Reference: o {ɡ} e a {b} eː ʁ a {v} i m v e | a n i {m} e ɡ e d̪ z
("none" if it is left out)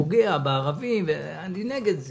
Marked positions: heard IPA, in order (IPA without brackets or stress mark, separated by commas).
ɡ, b, v, n